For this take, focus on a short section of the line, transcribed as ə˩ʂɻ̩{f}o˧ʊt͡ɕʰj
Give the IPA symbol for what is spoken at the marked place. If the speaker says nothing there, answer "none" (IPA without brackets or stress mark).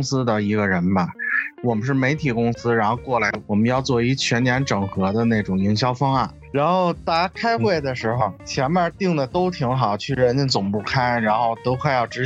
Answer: x